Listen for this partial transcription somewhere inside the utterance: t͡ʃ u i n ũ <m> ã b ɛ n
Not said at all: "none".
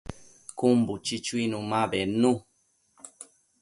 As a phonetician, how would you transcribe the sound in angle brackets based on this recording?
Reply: m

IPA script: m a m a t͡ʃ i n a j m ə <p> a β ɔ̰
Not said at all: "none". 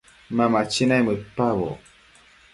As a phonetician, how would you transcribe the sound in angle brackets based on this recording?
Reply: p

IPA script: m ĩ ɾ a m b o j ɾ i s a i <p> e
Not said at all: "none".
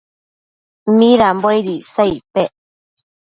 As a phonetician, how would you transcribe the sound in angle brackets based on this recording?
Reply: p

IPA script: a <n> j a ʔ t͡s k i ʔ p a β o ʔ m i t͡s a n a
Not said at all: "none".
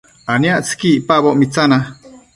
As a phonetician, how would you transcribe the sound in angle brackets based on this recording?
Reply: n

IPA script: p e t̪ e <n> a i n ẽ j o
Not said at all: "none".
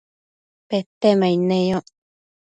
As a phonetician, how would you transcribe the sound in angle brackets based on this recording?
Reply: m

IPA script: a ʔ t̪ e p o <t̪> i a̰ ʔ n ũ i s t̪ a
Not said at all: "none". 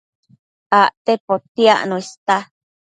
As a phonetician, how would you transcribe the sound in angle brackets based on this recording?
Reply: t̪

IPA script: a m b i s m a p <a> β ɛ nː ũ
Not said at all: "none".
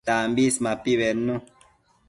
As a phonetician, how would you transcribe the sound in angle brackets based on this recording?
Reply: i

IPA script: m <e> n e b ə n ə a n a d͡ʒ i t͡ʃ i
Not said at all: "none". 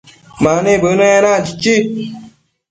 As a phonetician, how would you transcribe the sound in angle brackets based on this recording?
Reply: a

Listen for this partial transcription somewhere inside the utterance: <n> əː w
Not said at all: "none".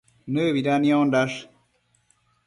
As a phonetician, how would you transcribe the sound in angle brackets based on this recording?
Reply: n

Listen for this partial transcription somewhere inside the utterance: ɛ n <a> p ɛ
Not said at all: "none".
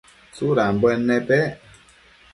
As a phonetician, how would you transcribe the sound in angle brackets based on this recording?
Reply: ɛ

